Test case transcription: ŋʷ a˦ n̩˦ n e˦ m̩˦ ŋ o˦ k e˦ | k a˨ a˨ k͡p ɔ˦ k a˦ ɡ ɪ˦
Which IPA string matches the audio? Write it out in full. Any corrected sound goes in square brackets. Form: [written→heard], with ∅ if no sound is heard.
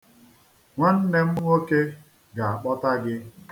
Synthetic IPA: ŋʷ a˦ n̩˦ n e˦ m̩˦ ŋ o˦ k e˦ | [k→ɡ] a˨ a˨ k͡p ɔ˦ [k→t] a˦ ɡ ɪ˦